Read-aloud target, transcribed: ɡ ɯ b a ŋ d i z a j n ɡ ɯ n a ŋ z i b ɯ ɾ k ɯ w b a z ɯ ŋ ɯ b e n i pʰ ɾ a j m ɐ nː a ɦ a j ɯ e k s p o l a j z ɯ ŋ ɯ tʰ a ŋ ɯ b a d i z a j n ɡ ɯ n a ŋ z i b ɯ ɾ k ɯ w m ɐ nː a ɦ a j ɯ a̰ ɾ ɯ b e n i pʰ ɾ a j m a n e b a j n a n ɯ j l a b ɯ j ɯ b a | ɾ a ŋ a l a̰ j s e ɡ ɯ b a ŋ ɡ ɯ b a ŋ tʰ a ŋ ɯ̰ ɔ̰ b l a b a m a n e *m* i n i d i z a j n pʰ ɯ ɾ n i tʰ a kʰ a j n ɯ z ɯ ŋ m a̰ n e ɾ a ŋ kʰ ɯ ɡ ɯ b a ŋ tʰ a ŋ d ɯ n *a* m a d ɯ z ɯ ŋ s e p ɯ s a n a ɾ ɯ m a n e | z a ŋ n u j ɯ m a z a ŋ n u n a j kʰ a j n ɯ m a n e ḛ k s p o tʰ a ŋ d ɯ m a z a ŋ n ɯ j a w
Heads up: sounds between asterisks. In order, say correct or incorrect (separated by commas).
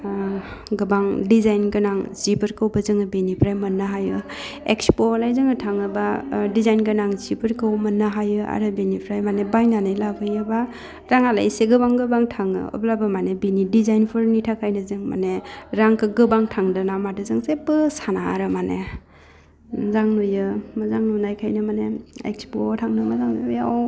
incorrect, correct